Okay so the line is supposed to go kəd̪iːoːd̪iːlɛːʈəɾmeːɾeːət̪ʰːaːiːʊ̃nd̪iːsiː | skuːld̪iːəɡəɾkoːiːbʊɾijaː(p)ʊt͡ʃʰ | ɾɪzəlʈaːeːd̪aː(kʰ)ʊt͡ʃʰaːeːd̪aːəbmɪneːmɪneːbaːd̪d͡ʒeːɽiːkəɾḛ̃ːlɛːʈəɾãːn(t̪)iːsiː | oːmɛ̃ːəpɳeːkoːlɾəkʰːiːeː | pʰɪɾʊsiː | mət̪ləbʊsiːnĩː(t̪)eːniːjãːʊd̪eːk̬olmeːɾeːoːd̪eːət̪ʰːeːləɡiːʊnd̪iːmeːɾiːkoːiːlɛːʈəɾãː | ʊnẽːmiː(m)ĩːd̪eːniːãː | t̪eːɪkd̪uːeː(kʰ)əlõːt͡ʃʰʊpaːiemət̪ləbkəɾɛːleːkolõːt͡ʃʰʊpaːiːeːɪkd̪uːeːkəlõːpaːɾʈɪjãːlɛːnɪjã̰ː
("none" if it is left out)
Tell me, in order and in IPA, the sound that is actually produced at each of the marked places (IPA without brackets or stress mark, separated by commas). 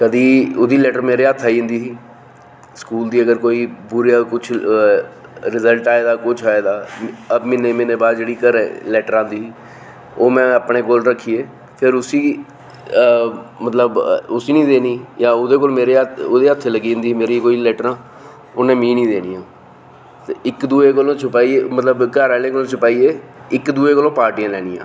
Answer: k, k, d̪, d̪, n, k